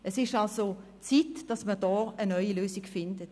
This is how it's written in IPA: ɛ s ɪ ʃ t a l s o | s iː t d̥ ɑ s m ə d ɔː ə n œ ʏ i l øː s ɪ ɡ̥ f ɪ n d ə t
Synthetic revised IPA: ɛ s ɪ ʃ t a l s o | t͡s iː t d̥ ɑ s m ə d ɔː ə n œ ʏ i l øː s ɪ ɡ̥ f ɪ n d ə t